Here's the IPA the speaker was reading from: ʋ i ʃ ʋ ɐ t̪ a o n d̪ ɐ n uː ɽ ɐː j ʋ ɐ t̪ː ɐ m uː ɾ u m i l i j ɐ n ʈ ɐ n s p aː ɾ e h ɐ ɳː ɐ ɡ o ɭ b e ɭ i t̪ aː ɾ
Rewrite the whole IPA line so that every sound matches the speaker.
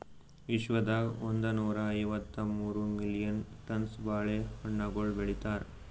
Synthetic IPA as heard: ʋ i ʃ ʋ ɐ d̪ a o n d̪ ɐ n uː ɾ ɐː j ʋ ɐ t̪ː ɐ m uː ɾ u m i l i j ɐ n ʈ ɐ n s b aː ɭ e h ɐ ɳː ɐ ɡ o ɭ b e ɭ i t̪ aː ɾ